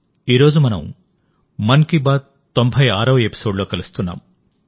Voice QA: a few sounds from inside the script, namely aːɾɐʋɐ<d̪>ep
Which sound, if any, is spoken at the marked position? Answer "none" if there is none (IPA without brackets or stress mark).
none